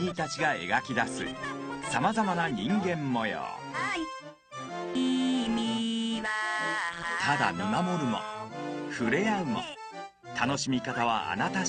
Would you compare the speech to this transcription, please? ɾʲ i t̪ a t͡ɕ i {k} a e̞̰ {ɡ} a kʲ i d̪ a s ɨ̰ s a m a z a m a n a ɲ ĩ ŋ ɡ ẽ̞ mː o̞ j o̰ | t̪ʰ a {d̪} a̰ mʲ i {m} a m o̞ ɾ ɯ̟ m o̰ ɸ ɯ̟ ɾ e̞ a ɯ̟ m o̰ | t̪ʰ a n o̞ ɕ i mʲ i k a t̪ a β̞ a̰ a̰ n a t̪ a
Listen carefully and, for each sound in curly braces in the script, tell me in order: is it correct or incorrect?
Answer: incorrect, correct, correct, correct

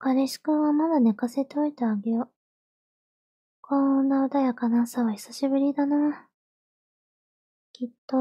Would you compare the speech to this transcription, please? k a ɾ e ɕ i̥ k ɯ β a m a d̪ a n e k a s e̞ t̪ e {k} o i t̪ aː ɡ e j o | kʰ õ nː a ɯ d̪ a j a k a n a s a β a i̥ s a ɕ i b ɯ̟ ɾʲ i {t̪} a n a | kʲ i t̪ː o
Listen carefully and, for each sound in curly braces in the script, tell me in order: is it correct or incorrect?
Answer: incorrect, incorrect

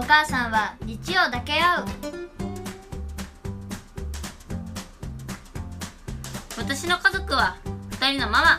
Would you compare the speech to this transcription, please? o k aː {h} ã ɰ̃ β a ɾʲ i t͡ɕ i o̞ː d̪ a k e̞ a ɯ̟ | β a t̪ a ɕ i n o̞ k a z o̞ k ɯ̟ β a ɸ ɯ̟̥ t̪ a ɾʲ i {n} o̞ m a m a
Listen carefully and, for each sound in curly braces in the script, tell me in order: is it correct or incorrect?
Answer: incorrect, correct

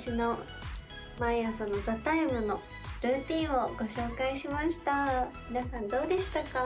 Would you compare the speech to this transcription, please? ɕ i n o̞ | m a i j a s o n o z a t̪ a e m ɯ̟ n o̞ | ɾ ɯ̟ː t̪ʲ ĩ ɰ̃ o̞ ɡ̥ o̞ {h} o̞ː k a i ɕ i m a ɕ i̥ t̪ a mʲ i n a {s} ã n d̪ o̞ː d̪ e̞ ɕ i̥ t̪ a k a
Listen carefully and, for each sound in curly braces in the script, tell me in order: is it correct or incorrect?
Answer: incorrect, correct

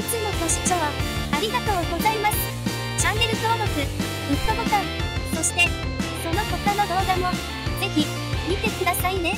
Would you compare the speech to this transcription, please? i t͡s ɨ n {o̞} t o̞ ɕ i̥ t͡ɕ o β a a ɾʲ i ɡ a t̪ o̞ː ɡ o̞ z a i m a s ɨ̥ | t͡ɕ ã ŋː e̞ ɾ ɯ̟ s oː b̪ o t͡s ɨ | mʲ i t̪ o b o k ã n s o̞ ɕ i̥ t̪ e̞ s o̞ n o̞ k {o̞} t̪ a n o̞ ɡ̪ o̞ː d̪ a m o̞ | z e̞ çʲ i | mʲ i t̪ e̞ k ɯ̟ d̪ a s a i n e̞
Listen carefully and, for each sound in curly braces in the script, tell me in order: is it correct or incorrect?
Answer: correct, correct

